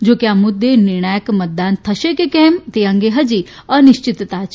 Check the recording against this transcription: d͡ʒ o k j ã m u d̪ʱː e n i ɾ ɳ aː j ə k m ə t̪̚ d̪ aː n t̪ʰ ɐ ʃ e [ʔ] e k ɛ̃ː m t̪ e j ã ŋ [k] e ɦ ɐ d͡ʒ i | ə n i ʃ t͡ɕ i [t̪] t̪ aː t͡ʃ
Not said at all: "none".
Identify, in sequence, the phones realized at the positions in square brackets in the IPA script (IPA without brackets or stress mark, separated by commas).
k, ɡ, t̪